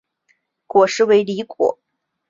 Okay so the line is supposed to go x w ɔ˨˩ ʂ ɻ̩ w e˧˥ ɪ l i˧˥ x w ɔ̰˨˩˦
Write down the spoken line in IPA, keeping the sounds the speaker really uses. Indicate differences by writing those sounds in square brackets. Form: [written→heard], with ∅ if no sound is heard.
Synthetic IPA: [x→k] w ɔ˨˩ ʂ ɻ̩ w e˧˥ ɪ l i˧˥ [x→k] w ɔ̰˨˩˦